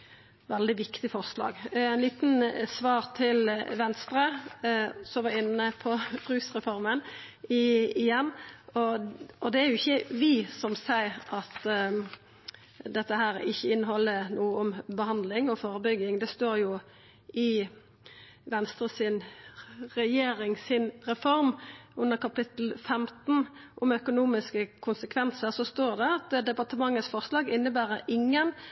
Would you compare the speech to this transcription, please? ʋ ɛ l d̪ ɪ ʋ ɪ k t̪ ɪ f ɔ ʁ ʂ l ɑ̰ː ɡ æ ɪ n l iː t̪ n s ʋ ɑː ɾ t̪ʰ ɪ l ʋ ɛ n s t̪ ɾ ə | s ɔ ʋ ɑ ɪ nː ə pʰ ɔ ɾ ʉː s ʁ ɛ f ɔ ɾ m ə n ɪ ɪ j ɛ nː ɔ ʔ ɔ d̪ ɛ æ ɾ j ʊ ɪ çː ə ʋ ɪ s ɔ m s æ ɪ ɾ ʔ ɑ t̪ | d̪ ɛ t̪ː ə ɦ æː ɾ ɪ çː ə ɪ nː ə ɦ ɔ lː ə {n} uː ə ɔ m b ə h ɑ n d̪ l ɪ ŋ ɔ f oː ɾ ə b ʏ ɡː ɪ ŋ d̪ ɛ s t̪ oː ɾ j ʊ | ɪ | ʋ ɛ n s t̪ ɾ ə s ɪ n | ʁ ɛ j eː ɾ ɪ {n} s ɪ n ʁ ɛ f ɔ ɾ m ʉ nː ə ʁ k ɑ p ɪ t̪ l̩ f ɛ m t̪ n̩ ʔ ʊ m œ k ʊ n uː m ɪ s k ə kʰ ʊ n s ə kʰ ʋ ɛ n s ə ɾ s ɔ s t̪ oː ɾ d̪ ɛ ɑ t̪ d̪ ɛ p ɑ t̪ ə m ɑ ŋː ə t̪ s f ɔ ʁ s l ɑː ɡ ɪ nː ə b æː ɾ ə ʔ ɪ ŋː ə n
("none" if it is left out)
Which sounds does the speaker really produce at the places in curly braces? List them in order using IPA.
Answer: n, ŋ

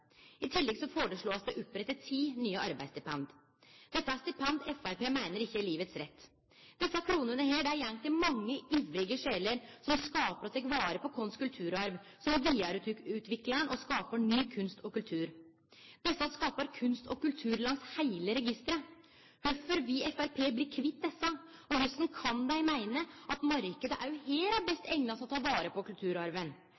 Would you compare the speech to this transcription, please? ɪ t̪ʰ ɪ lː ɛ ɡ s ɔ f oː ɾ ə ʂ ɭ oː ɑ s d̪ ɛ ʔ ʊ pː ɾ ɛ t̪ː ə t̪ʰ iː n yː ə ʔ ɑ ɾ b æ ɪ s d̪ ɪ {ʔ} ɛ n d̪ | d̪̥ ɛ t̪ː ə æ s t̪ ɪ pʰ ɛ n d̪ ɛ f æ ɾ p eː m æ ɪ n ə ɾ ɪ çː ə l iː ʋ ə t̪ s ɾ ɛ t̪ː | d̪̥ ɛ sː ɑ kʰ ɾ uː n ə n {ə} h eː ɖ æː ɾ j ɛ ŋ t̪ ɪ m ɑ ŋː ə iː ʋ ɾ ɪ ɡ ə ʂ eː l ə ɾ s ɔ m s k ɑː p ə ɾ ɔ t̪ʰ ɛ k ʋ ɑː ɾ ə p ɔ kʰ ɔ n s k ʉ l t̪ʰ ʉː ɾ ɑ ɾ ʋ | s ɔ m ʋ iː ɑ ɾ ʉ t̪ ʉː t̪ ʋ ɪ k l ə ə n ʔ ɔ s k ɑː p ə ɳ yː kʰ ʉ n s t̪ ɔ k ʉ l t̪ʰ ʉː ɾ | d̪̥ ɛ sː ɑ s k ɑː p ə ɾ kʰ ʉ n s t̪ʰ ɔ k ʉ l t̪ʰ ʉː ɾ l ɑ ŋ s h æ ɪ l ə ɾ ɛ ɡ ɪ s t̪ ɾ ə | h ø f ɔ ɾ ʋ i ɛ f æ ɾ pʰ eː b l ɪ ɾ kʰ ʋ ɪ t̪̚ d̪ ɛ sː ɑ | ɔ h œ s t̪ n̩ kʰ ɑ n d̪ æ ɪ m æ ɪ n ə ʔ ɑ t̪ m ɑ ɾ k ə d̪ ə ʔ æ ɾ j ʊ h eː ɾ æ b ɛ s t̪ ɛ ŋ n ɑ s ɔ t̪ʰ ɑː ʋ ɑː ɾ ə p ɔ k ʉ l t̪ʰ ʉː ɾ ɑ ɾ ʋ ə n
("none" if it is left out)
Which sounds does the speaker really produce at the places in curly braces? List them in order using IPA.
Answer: p, ə

